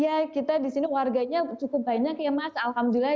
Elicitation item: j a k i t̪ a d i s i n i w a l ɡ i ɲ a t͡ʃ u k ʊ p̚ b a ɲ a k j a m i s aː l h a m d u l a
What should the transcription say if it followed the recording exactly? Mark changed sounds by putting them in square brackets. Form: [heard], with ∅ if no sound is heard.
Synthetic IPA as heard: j a k i t̪ a d i s i n i w a [r] ɡ [a] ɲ a t͡ʃ u k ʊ p̚ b a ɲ a k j a m [a] s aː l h a m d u l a